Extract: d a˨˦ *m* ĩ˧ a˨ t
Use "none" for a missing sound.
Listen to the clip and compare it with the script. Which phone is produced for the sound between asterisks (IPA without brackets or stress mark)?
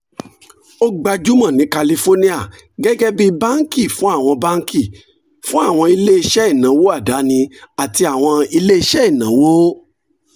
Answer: n